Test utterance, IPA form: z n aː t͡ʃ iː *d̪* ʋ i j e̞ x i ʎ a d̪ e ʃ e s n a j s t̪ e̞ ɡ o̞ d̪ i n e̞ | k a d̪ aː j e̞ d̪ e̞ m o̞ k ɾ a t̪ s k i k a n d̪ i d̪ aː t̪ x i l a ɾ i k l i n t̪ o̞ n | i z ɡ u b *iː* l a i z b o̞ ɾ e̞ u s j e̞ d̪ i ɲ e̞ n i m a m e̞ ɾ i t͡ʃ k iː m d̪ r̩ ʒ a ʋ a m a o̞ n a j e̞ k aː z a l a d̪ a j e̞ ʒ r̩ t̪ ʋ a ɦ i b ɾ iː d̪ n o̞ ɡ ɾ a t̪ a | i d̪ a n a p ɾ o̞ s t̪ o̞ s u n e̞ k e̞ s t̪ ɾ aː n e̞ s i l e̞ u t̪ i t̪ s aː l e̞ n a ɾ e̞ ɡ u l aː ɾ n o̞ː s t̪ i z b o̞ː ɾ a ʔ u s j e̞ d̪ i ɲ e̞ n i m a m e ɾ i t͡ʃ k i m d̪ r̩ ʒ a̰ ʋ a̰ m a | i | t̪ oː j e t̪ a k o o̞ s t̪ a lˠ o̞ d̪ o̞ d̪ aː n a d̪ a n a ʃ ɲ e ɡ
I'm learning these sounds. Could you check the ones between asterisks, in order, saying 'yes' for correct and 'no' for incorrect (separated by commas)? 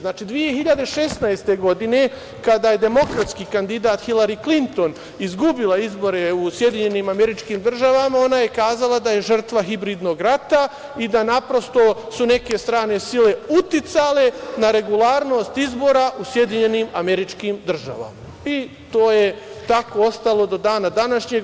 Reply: yes, no